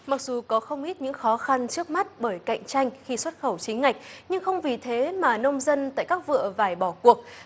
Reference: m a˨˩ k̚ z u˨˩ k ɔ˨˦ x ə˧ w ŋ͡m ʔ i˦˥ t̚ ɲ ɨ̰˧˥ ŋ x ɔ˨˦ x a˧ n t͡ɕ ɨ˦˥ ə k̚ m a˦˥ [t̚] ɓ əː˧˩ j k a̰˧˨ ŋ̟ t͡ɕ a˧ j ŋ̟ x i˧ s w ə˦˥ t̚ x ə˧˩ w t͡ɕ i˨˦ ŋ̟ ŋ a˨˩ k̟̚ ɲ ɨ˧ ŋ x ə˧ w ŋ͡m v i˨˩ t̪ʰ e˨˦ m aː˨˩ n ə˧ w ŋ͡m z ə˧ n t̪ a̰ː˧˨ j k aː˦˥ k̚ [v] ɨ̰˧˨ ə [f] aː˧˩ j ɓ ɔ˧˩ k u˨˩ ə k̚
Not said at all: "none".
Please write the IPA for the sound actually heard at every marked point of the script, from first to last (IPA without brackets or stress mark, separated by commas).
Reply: t̚, v, v